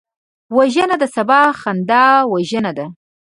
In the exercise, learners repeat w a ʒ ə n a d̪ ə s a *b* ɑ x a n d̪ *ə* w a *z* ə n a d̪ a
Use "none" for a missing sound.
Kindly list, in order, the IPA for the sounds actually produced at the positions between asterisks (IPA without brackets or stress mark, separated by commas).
b, ɑ, ʒ